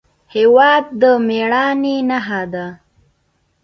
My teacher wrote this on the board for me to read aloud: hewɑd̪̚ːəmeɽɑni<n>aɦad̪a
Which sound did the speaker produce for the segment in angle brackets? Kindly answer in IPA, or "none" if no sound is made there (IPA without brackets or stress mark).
n